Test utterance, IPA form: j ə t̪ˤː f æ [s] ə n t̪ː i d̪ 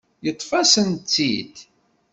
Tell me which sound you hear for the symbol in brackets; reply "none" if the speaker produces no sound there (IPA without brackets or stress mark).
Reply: s